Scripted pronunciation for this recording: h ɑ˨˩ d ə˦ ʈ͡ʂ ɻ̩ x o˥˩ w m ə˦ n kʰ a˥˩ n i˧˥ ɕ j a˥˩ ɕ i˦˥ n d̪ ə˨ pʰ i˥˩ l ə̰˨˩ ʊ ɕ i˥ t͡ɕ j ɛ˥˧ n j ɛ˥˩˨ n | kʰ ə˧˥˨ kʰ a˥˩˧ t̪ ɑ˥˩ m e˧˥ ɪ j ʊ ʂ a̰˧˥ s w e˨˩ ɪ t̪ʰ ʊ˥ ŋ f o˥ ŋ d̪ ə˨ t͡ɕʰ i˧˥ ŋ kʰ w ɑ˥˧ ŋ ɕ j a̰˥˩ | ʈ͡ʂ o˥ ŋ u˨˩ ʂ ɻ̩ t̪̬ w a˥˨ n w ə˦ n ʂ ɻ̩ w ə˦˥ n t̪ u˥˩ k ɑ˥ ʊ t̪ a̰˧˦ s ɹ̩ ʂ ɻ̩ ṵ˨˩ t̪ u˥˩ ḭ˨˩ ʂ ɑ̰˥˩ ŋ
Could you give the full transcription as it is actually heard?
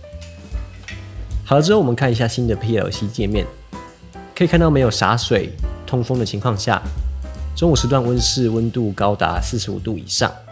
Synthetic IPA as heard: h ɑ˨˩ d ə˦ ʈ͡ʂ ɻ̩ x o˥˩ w m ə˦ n kʰ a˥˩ n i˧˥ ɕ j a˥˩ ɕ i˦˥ n d̪ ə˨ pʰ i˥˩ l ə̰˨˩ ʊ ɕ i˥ t͡ɕ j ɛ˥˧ m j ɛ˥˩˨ n | kʰ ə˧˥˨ kʰ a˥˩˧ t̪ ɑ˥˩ m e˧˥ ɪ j ʊ ʂ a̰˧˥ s w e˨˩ ɪ t̪ʰ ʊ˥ ŋ f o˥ ŋ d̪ ə˨ t͡ɕʰ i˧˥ ŋ kʰ w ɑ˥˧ ŋ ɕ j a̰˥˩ | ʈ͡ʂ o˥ ŋ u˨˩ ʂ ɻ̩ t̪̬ w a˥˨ n w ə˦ n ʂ ɻ̩ w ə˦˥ n t̪ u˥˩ k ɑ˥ ʊ t̪ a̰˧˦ s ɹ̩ ʂ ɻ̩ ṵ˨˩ t̪ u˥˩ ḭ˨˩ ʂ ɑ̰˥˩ ŋ